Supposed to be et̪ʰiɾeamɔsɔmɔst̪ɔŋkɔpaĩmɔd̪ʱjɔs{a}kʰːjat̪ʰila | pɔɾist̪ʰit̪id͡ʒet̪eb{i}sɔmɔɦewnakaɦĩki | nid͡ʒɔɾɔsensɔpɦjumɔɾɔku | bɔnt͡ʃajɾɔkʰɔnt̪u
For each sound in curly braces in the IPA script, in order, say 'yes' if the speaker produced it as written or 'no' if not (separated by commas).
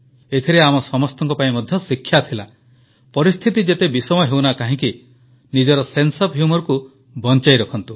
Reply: no, yes